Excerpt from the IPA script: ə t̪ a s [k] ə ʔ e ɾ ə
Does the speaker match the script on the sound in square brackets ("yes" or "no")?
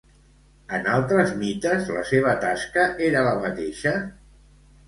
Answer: yes